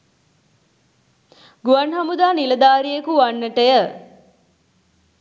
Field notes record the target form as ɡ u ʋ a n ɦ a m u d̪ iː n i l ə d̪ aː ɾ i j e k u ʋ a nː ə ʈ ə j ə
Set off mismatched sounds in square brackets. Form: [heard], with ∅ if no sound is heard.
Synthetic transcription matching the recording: ɡ u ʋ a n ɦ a m u d̪ [aː] n i l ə d̪ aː ɾ i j e k u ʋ a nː ə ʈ ə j ə